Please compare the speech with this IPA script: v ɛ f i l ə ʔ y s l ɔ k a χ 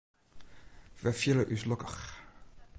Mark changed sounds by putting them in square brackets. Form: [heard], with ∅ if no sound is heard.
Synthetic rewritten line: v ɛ f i l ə ʔ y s l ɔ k [ə] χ